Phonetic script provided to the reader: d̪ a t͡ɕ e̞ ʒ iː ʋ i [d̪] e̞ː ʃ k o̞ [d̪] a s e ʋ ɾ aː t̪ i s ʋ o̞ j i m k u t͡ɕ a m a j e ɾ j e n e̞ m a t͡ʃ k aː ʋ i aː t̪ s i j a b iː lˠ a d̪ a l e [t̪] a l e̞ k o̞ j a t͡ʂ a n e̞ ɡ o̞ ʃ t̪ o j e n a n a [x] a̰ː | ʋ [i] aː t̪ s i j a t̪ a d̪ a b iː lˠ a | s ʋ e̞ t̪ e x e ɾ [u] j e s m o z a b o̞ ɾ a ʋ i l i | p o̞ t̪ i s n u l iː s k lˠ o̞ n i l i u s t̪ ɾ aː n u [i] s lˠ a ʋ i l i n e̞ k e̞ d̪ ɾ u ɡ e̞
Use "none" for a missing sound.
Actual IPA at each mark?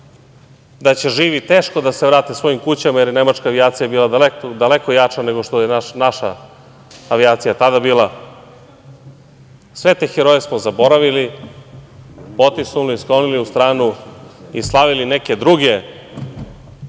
t̪, d̪, d̪, ʃ, i, o, i

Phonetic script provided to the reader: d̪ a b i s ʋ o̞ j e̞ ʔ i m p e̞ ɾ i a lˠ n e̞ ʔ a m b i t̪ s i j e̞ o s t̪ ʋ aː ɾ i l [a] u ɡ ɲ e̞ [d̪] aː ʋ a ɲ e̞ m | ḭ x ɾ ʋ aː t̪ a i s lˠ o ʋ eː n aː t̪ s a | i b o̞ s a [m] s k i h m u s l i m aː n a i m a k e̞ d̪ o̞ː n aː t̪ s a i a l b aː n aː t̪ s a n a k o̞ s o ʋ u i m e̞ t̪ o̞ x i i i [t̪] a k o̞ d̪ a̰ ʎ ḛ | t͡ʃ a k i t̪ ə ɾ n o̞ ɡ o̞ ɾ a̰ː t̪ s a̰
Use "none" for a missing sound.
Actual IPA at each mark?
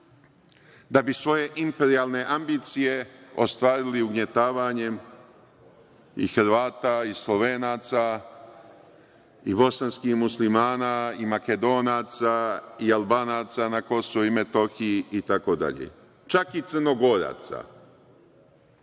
i, t̪, n, t̪

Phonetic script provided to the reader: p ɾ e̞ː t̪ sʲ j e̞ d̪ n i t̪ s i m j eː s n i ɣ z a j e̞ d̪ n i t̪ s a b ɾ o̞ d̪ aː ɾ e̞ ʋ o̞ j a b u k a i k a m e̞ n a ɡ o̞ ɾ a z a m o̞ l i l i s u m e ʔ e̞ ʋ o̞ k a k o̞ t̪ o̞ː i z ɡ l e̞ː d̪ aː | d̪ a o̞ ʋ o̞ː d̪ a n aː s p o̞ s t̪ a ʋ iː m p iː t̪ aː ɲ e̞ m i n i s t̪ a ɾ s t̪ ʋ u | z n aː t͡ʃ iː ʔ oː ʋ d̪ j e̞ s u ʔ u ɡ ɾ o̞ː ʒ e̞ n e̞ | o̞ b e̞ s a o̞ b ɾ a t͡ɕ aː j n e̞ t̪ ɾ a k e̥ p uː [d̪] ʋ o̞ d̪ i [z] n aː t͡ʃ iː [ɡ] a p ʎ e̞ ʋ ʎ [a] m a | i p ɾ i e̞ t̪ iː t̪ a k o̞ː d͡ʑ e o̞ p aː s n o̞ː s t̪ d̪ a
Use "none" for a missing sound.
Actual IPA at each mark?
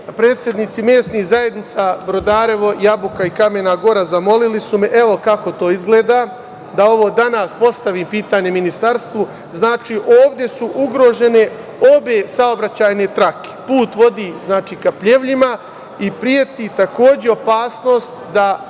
t̪, z, k, i

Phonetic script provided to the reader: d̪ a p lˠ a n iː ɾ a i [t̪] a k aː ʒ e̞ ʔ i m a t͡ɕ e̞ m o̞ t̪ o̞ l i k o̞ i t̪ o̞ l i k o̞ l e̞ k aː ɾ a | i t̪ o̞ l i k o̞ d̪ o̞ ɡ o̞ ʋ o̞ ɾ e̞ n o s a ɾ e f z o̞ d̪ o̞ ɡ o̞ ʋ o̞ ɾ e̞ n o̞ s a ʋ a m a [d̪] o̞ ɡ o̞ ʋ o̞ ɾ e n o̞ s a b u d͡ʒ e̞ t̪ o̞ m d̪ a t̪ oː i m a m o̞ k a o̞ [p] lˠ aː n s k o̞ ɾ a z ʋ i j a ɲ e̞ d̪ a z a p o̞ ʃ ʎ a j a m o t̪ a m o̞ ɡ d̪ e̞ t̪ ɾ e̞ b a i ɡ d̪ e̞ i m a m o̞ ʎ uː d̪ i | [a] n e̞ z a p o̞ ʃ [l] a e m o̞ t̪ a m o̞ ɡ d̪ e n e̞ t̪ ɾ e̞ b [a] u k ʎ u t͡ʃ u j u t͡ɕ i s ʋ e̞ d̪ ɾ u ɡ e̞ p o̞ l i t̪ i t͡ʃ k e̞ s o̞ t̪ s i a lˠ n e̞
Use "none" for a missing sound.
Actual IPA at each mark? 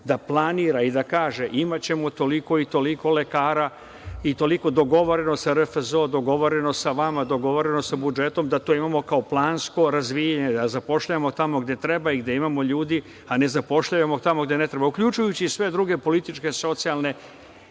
d̪, d̪, p, a, ʎ, a

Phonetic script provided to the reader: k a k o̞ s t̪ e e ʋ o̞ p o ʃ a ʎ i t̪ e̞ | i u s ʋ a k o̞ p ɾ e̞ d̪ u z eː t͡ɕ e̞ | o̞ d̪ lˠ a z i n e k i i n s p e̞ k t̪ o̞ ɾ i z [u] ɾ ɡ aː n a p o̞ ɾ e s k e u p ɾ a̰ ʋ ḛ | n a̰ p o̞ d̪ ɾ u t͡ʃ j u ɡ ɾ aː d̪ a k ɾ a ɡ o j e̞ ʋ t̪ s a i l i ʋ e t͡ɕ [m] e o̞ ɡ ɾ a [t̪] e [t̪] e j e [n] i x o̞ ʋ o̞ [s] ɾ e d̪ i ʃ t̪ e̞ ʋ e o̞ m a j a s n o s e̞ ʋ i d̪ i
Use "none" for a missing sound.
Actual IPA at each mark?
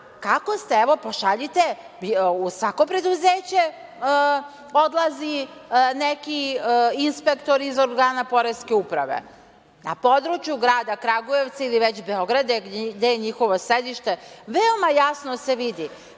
o, b, d̪, d̪, ɲ, s

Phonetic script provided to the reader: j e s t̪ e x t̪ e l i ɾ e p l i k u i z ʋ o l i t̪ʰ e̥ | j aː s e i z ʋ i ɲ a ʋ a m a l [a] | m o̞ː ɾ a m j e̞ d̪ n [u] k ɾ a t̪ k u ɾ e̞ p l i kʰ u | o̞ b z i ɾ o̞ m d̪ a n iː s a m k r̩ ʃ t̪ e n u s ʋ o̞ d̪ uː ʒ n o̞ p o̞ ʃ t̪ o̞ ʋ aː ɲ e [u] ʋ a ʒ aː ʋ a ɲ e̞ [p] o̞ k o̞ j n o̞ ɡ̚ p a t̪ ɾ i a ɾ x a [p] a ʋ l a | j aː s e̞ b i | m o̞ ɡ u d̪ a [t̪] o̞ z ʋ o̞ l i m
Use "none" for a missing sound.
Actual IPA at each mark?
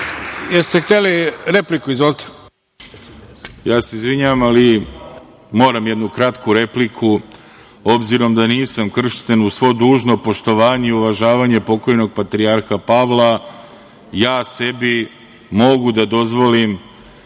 i, u, u, p, p, d̪

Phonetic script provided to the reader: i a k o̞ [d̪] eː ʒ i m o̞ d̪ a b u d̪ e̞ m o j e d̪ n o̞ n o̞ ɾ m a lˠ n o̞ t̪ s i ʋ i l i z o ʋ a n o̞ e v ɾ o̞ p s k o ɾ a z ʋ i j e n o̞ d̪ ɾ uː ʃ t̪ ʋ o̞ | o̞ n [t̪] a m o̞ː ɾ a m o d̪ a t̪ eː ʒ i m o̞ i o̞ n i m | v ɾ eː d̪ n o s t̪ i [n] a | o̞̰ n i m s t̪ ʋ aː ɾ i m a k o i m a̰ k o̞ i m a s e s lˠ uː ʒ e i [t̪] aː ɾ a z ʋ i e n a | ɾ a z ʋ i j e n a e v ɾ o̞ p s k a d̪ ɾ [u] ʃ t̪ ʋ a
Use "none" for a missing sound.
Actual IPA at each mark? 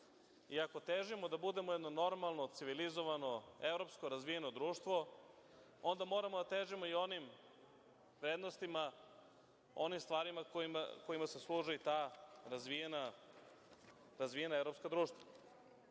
t̪, d̪, m, t̪, uː

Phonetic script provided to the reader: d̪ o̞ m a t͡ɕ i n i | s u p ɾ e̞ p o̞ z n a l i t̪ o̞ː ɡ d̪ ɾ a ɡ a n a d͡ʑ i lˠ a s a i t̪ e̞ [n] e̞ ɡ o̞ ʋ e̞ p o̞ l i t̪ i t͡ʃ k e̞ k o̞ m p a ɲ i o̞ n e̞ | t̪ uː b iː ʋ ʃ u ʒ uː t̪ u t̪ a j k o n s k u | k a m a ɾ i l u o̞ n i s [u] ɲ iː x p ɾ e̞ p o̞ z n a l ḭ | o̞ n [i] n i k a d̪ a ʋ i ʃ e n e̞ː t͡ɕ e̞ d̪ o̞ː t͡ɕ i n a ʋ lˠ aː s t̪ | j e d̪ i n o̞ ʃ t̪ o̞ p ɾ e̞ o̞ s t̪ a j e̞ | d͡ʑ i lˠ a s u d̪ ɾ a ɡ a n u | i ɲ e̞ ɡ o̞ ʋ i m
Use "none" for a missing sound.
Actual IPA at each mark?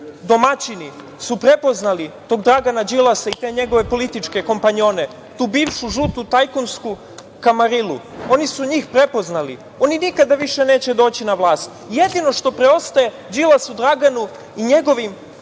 ɲ, u, i

